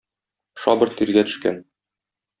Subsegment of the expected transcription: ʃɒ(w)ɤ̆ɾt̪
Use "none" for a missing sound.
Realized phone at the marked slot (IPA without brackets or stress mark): b